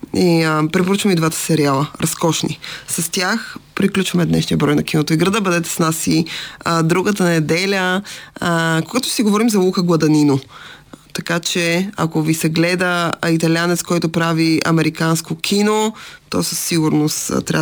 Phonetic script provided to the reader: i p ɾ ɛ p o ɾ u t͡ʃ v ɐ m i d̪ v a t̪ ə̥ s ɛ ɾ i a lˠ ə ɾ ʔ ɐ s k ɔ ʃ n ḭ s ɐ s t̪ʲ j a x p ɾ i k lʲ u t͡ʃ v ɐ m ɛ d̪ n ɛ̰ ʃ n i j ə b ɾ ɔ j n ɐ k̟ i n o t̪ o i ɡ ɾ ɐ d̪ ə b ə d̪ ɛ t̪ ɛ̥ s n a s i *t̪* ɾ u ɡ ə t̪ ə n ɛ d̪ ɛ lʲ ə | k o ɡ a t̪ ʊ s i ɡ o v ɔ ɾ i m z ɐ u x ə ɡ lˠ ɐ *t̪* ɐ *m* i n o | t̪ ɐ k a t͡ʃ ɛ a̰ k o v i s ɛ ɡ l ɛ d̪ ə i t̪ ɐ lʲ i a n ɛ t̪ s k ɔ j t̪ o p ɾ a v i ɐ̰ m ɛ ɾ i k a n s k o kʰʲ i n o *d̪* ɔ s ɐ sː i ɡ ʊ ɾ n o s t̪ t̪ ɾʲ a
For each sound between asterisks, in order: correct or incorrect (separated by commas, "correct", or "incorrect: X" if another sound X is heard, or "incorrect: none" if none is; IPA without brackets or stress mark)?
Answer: incorrect: d̪, incorrect: d̪, incorrect: n, incorrect: t̪